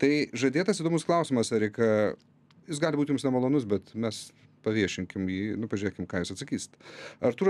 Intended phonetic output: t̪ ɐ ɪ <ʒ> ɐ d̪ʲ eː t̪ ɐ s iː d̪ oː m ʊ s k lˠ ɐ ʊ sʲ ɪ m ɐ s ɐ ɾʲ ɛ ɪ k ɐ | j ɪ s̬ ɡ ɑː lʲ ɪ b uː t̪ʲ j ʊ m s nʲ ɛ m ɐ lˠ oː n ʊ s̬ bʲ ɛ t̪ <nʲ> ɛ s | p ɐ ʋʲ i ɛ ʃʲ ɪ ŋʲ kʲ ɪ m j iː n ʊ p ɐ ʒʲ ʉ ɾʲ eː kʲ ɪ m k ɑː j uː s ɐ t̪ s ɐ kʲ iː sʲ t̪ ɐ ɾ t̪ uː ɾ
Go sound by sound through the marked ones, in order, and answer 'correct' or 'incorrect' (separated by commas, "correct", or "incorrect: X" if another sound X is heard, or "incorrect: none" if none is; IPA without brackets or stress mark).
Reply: correct, incorrect: mʲ